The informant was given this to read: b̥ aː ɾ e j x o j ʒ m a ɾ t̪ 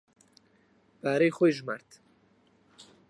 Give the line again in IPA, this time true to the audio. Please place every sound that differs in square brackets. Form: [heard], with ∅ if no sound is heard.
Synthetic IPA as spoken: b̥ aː ɾ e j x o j ʒ m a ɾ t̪